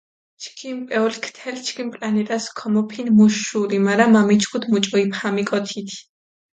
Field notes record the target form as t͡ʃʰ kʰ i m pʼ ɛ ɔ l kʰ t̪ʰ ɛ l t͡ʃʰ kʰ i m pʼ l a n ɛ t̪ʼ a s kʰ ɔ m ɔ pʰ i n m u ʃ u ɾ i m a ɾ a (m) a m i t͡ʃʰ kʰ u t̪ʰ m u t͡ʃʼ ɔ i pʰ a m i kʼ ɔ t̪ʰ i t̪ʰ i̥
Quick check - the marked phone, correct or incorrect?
correct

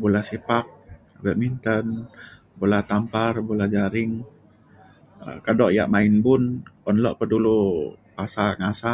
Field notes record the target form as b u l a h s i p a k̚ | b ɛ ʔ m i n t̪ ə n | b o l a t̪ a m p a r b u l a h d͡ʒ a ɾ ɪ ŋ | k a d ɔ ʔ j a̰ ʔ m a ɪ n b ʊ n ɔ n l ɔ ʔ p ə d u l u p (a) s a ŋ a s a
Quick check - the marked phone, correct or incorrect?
correct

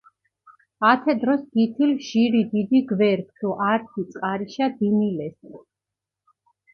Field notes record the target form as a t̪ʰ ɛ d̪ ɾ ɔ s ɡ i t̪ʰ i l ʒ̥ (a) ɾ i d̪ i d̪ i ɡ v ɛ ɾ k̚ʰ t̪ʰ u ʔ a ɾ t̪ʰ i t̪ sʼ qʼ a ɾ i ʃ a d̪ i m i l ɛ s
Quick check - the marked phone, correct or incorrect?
incorrect: i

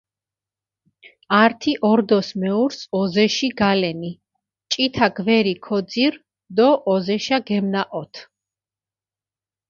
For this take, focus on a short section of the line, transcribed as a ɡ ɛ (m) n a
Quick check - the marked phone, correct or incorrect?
correct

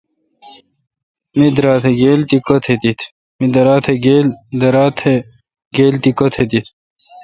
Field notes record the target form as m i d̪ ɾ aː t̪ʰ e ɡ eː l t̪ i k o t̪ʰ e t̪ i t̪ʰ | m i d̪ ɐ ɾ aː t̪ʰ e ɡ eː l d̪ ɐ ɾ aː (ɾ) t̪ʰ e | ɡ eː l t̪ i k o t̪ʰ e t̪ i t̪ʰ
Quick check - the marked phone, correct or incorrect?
incorrect: none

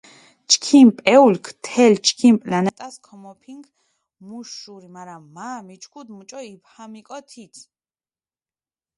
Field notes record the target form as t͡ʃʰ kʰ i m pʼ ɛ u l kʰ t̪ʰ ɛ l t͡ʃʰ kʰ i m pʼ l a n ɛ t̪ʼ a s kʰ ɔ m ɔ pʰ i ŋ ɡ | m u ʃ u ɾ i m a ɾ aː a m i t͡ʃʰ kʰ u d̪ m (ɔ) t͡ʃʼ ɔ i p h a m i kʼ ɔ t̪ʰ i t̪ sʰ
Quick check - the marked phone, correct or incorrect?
incorrect: u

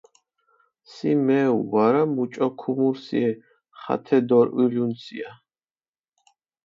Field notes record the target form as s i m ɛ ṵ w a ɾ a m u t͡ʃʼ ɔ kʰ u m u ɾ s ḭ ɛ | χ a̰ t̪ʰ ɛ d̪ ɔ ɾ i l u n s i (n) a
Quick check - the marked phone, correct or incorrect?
incorrect: none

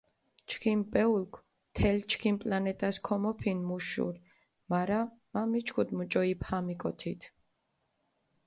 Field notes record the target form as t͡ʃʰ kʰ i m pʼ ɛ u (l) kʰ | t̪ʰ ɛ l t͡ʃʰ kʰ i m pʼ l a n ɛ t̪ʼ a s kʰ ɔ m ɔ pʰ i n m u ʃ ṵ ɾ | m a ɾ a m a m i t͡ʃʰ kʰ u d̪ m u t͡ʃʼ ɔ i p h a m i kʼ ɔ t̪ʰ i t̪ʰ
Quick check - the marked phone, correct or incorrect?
correct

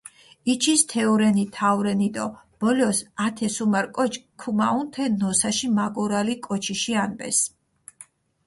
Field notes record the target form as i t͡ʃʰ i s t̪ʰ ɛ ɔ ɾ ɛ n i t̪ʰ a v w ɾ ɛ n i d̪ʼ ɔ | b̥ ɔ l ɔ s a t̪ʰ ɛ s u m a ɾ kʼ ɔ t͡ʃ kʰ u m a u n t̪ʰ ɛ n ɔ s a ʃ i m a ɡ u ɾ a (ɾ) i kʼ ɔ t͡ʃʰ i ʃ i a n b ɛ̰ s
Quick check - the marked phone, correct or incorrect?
incorrect: l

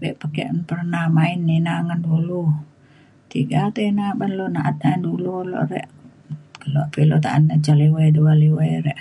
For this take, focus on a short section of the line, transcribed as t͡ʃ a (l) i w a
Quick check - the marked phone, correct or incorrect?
correct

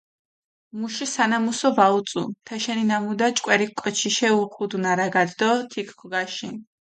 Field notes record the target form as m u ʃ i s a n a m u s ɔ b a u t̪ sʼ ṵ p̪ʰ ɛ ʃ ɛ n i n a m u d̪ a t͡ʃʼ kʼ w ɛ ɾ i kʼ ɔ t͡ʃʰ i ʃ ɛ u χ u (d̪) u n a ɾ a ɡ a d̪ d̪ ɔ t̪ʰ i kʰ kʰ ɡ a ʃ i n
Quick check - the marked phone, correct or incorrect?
correct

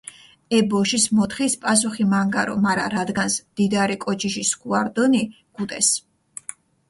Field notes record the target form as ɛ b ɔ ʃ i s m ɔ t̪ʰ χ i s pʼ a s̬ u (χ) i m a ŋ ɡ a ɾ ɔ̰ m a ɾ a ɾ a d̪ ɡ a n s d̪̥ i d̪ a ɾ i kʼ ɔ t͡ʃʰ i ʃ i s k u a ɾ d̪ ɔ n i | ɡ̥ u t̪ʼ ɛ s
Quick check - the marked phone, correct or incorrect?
correct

